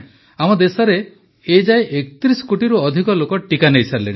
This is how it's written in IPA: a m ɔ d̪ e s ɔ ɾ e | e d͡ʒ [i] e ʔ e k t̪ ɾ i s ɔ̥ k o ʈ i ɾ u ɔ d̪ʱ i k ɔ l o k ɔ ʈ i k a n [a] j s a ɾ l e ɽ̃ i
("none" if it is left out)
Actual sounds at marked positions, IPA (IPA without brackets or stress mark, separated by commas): a, e